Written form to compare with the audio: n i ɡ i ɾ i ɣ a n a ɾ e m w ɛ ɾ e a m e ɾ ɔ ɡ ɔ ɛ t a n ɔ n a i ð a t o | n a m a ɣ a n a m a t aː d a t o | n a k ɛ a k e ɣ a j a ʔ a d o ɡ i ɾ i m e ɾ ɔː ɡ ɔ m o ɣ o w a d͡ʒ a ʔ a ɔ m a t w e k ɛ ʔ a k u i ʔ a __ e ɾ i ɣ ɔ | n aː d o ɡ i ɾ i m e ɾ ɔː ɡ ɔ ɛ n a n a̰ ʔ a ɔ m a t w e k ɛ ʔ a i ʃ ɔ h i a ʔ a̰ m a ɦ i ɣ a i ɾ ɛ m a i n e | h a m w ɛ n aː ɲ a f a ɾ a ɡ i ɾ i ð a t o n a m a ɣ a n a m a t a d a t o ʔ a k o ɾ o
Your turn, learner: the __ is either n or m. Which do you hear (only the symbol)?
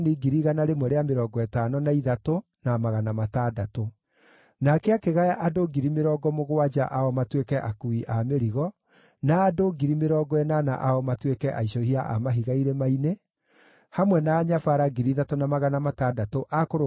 m